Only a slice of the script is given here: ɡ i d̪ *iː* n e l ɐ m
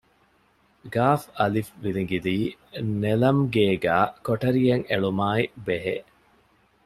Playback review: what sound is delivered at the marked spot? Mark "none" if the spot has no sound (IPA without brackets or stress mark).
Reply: iː